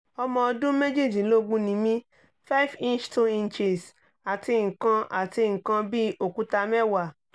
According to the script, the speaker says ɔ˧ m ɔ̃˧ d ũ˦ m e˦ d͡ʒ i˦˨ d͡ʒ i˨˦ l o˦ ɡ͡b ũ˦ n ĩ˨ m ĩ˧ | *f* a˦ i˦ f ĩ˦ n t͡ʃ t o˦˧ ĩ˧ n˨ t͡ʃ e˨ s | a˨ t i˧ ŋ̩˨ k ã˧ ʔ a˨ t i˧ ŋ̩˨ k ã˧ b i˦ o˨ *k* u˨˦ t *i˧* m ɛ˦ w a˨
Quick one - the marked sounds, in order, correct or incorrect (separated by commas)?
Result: correct, correct, incorrect